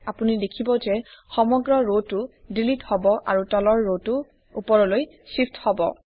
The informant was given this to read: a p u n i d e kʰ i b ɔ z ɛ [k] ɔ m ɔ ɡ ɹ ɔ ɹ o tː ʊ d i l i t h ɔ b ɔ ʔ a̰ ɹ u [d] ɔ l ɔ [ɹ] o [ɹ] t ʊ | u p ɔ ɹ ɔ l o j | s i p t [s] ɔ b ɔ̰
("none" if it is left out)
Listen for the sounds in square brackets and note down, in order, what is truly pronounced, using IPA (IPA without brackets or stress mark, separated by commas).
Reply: x, t, ɹː, none, h